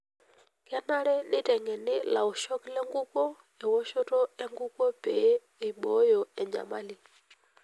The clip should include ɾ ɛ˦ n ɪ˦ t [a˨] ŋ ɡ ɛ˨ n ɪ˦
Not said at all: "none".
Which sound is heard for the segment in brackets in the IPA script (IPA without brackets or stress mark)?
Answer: ɛ˨